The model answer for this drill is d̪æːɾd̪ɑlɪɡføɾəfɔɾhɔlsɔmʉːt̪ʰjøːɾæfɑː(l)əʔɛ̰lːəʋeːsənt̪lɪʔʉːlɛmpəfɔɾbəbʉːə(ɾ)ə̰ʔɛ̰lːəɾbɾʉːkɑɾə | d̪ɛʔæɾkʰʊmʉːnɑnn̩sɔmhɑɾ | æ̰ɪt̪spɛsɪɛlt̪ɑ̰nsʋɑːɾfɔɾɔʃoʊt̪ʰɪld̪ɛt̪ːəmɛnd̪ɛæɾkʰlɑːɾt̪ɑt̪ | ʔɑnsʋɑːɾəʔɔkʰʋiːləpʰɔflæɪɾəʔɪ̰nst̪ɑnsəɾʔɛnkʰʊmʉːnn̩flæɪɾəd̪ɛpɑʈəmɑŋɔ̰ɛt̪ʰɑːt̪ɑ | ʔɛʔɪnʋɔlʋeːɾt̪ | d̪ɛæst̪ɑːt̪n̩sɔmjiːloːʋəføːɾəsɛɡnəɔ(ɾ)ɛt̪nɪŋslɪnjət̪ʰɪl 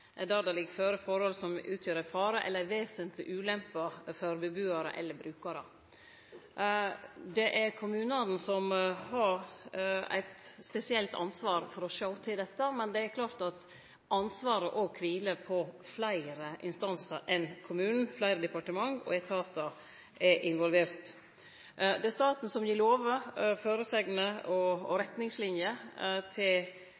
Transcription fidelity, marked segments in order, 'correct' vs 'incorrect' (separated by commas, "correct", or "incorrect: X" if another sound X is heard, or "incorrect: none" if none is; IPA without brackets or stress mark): incorrect: ɾ, correct, correct